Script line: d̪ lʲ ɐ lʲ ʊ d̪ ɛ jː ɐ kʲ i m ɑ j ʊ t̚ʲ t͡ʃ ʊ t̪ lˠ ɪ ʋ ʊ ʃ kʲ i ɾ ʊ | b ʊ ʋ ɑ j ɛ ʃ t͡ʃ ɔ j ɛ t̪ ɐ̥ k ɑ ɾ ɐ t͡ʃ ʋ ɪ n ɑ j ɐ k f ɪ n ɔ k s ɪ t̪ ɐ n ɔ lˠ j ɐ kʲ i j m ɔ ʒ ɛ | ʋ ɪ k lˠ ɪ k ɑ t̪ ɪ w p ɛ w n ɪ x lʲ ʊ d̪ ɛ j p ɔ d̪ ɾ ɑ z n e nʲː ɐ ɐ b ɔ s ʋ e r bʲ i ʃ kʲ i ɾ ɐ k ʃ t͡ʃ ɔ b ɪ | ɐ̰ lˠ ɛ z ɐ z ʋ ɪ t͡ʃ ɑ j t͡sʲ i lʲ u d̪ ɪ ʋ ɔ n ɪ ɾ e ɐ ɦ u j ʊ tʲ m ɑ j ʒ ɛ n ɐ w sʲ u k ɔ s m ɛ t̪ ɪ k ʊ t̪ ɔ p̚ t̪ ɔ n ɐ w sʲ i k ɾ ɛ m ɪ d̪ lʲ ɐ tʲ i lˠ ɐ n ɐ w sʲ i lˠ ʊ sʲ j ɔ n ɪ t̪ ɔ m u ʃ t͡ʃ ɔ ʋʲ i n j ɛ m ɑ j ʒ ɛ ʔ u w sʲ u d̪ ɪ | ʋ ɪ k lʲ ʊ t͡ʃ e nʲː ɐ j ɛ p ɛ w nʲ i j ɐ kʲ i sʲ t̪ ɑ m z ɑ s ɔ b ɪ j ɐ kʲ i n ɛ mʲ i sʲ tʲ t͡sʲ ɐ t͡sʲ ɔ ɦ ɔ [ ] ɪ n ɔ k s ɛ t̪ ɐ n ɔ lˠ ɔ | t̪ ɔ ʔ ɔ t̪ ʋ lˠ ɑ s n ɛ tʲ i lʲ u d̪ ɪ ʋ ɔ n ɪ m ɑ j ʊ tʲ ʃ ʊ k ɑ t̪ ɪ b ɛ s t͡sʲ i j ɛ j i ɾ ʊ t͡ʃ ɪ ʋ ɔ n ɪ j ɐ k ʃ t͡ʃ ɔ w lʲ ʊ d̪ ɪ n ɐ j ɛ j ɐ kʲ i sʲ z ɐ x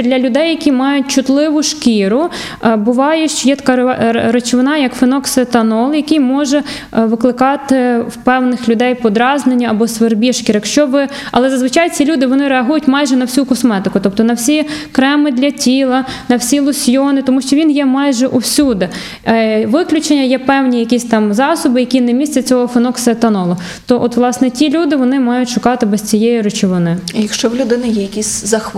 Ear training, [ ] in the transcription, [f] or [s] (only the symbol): f